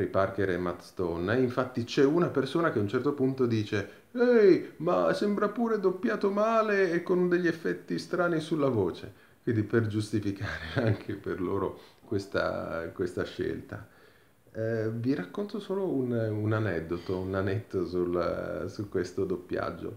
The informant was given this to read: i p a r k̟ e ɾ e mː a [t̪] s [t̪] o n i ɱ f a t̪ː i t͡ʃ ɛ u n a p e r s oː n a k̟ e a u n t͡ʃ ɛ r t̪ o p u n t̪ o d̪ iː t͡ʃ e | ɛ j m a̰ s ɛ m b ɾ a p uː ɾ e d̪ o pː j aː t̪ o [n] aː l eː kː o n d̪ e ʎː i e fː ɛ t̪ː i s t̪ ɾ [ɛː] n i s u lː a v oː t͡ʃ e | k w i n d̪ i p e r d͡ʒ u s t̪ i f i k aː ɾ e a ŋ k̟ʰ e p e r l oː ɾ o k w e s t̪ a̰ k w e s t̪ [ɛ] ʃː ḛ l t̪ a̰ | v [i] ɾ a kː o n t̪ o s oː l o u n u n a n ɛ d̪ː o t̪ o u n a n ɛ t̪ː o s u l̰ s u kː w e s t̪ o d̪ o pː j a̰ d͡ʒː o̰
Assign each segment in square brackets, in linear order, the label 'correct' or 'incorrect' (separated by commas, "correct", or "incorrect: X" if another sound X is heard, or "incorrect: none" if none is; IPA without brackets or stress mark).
correct, correct, incorrect: m, incorrect: aː, incorrect: a, correct